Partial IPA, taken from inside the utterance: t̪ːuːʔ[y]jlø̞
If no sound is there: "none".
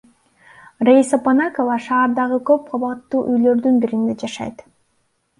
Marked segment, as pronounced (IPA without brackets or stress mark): y